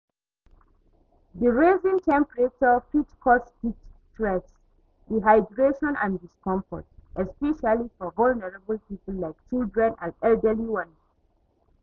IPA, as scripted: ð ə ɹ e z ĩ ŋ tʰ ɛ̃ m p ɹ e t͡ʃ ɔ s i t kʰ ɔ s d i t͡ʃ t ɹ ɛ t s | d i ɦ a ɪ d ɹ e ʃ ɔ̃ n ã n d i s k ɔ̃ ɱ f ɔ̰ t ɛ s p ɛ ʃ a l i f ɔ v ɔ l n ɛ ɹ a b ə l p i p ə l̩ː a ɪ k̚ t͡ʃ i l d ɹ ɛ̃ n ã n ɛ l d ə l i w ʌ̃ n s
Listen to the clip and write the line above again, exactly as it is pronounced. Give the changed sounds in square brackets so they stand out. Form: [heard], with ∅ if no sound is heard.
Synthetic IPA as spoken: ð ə ɹ e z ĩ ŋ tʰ ɛ̃ m p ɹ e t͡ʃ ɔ [f] i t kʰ ɔ s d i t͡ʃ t ɹ ɛ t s | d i ɦ a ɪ d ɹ e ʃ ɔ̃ n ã n d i s k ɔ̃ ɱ f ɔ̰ t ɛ s p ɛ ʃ a l i f ɔ v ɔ l n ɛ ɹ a b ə l p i p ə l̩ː a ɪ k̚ t͡ʃ i l d ɹ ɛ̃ n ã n ɛ l d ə l i w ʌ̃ n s